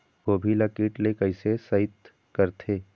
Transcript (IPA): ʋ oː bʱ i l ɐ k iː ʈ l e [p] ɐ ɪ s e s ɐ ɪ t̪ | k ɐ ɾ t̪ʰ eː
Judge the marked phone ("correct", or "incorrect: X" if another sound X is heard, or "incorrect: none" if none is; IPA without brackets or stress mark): incorrect: k